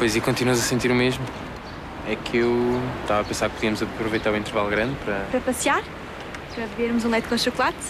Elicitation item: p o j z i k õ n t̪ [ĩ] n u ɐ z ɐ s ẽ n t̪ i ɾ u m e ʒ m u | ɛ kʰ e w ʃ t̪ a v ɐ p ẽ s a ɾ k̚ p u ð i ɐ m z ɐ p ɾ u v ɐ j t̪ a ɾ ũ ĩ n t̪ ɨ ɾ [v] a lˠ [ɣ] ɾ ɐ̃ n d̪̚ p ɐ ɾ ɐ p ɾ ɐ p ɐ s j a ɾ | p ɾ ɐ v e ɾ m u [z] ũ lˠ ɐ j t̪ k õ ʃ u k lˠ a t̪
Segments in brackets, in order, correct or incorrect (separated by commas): incorrect, correct, correct, correct